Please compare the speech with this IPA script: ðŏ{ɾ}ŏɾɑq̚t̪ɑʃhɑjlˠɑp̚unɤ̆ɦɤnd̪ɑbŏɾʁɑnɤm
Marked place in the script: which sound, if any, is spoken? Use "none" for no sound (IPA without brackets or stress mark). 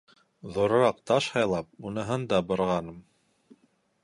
ɾ